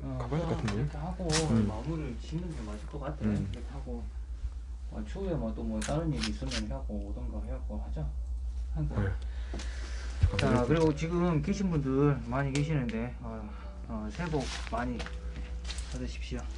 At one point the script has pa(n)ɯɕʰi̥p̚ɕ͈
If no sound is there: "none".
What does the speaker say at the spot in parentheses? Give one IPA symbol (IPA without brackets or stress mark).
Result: d